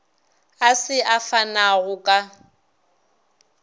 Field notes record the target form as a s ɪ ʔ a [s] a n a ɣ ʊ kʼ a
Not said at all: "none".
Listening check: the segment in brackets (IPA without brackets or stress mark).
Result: f